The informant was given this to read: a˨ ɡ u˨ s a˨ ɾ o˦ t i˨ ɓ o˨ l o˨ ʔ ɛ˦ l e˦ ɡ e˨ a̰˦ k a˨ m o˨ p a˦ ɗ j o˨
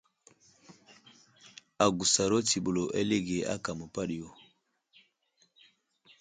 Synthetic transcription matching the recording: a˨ ɡ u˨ s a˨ ɾ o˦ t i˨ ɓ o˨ l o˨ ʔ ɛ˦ l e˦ ɡ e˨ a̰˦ k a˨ m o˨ p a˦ ɗ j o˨